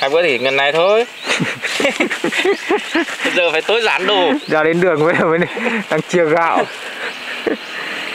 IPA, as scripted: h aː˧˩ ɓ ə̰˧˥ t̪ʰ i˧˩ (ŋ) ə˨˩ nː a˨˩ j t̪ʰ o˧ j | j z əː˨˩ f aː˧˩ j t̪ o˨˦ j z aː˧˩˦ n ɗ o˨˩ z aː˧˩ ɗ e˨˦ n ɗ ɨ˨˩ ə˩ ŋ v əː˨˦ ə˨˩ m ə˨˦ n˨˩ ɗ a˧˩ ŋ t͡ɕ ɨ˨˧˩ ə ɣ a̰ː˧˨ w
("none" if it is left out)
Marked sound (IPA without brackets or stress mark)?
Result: ŋ